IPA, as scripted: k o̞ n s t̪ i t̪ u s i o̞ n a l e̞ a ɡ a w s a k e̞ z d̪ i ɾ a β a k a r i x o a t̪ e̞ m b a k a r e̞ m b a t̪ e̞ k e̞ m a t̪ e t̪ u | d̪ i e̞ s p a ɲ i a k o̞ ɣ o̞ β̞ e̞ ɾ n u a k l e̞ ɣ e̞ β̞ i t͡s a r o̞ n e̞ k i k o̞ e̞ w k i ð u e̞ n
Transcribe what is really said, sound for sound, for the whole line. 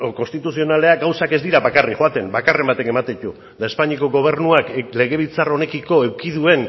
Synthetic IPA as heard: k o̞ n s t̪ i t̪ u s i o̞ n a l e̞ a ɡ a w s a k e̞ z d̪ i ɾ a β a k a r i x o a t̪ e̞ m b a k a r e̞ m b a t̪ e̞ k e̞ m a t̪ e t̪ u | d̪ a e̞ s p a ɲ i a k o̞ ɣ o̞ β̞ e̞ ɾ n u a k l e̞ ɣ e̞ β̞ i t͡s a r o̞ n e̞ k i k o̞ e̞ w k i ð u e̞ n